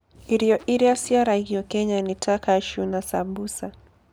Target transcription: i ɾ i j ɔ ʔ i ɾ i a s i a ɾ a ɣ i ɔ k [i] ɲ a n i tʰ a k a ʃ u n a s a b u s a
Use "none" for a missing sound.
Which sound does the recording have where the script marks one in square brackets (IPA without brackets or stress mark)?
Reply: ɛ